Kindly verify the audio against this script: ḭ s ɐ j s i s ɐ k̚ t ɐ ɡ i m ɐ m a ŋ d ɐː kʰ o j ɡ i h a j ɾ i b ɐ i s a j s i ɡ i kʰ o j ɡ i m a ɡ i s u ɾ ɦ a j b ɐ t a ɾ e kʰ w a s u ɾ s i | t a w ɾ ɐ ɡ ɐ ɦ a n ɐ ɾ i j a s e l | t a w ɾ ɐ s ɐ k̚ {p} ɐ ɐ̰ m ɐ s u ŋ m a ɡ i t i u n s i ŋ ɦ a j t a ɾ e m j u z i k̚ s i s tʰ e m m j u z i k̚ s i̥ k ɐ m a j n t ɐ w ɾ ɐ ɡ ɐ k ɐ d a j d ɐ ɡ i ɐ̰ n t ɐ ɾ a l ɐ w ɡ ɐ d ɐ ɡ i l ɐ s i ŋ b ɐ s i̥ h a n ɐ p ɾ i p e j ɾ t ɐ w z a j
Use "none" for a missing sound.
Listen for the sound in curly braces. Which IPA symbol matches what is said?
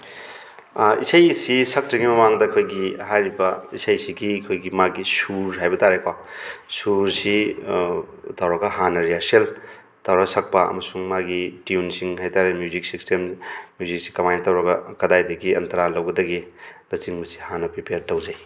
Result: p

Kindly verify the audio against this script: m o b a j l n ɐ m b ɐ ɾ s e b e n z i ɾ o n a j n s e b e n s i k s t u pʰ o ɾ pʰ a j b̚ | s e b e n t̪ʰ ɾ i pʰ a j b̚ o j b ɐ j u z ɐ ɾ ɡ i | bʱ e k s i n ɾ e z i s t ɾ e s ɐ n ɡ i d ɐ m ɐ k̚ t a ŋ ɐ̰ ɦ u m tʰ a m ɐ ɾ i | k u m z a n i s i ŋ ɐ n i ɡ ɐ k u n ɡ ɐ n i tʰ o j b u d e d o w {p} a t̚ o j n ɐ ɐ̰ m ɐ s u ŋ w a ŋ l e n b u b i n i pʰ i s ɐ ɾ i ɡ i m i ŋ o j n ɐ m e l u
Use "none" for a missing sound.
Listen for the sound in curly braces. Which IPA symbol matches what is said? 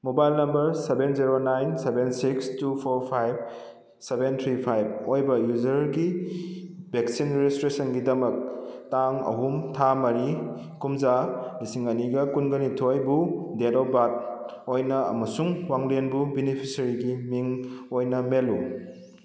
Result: b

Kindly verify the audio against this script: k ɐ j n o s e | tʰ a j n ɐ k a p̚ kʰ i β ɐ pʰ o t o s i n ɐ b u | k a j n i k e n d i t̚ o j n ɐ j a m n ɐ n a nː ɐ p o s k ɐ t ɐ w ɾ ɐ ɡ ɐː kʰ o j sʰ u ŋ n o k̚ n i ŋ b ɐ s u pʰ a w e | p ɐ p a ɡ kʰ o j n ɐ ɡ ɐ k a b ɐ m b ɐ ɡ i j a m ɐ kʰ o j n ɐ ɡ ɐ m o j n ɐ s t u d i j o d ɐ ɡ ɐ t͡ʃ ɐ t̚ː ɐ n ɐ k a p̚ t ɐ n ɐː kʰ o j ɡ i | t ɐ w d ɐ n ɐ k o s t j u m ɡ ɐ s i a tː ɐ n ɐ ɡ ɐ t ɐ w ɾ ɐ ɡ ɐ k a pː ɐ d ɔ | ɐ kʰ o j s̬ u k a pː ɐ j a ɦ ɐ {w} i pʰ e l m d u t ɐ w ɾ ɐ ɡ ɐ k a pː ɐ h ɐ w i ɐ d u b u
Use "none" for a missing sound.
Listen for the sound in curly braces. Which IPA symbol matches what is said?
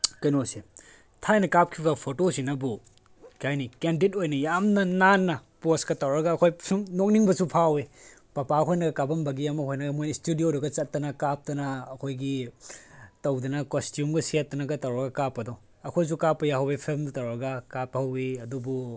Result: w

